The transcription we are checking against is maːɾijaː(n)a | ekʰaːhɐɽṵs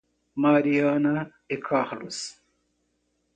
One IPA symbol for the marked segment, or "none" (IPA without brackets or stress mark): n